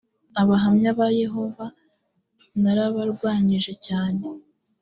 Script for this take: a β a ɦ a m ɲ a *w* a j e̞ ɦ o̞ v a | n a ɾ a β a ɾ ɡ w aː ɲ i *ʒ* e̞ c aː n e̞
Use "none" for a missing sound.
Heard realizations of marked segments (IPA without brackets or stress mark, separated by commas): β, ʒ